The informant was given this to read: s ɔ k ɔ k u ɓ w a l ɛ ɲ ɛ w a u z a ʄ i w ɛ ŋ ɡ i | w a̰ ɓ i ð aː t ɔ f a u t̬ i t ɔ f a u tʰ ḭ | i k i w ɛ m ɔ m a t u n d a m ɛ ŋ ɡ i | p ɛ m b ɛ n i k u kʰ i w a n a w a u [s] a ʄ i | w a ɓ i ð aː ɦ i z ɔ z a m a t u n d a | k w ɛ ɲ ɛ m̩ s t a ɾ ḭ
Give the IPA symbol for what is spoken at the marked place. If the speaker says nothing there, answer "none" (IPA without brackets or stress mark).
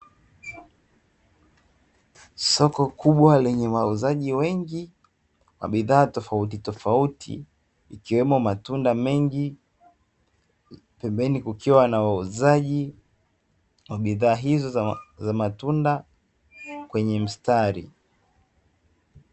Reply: z